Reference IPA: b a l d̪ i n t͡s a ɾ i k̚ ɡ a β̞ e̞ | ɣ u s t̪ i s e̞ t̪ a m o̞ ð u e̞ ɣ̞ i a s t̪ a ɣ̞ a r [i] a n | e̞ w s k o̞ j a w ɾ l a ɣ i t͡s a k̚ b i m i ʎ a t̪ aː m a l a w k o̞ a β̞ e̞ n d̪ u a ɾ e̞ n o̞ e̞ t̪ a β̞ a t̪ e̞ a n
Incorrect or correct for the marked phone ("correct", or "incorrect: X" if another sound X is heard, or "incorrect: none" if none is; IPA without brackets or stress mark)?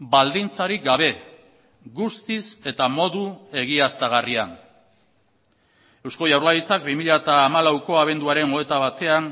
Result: correct